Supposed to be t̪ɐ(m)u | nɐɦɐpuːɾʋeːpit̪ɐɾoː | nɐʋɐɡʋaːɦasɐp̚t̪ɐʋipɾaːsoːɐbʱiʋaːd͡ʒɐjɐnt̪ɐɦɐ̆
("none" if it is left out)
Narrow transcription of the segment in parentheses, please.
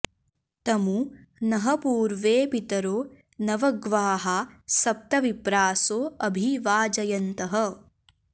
m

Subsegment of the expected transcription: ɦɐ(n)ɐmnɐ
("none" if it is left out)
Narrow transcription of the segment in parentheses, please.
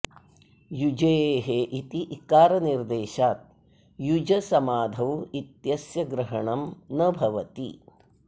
ɳ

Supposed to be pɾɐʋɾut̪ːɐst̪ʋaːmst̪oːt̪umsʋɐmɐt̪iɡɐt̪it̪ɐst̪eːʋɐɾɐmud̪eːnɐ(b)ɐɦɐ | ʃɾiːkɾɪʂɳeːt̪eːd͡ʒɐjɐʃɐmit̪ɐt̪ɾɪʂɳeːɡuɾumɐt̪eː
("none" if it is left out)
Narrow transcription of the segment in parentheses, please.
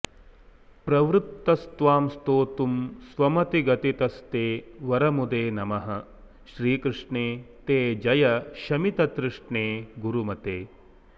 m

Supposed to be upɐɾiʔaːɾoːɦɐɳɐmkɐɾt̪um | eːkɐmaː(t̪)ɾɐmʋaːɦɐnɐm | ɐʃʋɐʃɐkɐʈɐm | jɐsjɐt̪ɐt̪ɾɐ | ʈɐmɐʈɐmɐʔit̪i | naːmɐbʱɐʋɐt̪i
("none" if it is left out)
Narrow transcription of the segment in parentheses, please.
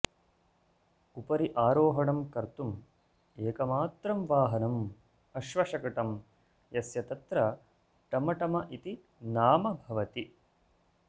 t̪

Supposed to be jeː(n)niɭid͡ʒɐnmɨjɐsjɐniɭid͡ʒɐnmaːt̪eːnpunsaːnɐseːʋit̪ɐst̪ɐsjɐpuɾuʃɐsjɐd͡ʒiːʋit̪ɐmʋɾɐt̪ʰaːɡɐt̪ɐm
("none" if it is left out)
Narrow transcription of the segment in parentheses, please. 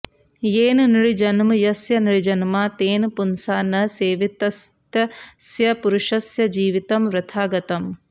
n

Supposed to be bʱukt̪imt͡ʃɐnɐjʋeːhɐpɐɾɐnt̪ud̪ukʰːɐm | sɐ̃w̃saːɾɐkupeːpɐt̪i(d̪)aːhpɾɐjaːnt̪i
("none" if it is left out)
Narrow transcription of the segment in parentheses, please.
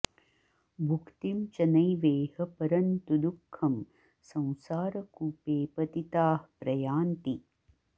t̪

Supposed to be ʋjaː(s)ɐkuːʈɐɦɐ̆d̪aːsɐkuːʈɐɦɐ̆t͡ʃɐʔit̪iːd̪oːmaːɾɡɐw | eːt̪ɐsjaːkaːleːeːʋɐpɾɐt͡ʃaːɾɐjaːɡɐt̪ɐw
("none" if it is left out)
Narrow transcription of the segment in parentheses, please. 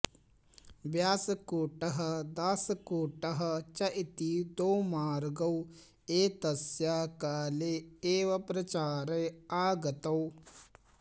s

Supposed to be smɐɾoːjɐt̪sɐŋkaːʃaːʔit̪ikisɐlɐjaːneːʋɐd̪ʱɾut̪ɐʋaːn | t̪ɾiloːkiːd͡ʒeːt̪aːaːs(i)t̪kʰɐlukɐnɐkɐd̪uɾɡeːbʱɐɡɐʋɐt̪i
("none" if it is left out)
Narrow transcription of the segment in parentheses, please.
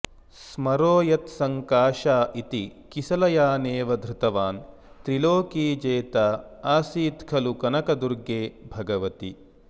iː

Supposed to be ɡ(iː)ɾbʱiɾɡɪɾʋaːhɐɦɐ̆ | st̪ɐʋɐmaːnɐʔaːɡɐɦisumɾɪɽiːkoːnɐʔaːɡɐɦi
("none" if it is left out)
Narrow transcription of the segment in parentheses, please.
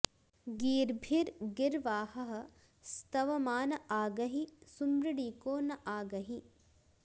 iː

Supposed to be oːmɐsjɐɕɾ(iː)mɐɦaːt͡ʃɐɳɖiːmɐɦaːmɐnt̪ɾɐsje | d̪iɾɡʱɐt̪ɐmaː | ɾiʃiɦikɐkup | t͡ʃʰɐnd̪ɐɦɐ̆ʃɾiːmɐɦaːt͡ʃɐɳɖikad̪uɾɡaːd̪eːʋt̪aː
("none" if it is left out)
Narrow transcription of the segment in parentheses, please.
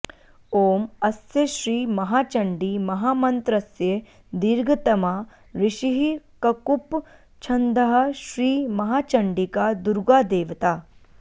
iː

